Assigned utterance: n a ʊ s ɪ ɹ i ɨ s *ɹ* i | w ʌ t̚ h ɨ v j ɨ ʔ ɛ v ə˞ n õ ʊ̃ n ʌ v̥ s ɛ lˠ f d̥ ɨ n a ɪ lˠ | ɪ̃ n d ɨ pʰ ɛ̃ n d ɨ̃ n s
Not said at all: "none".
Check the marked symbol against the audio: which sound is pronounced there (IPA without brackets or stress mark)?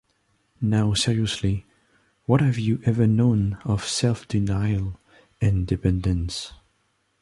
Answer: l